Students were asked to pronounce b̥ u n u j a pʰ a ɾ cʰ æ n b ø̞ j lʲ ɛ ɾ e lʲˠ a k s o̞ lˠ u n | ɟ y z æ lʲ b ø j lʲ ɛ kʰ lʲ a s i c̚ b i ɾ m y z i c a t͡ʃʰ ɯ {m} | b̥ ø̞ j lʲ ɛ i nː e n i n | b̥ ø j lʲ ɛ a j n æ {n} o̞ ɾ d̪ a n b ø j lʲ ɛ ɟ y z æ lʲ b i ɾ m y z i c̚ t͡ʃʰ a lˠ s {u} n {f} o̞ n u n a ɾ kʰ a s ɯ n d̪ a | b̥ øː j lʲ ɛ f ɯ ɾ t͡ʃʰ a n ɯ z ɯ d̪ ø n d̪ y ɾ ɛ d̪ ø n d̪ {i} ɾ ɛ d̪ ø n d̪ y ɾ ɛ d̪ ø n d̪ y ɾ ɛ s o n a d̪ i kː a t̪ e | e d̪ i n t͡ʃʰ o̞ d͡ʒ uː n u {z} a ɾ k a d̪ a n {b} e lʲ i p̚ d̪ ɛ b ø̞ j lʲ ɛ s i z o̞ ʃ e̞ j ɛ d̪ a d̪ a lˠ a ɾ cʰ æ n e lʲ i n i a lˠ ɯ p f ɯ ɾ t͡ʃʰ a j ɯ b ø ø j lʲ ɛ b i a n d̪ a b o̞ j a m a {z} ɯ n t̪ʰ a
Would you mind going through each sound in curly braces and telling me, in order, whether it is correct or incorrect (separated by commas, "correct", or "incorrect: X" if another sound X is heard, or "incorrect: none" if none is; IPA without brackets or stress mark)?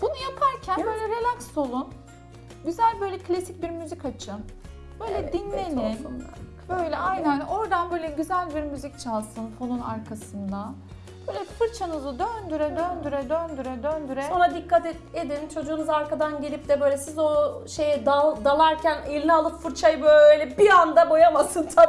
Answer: incorrect: n, correct, incorrect: ɯ, correct, incorrect: y, correct, incorrect: ɟ, incorrect: s